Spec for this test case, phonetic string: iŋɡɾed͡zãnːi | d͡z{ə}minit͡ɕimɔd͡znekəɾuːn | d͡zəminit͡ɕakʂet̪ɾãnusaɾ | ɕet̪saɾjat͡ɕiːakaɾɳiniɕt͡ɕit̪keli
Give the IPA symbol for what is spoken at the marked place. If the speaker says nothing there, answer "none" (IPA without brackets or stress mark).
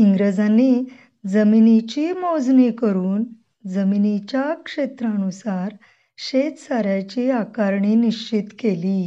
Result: ə